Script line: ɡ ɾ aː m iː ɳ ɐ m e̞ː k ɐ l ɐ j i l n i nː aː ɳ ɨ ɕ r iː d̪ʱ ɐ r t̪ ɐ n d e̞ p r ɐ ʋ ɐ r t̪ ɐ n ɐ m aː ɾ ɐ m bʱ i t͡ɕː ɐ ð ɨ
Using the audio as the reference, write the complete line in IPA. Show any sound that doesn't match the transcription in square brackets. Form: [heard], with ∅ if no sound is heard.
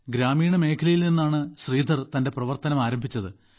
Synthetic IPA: ɡ ɾ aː m iː ɳ ɐ m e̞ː [kʰ] ɐ l ɐ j i l n i nː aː ɳ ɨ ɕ r iː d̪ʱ ɐ r t̪ ɐ n d e̞ p r ɐ ʋ ɐ r t̪ ɐ n ɐ m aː ɾ ɐ m bʱ i t͡ɕː ɐ ð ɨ